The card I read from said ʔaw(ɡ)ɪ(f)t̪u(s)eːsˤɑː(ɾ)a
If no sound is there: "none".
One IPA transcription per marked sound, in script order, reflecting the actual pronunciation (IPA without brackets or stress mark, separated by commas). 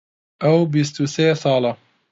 b, s, s, l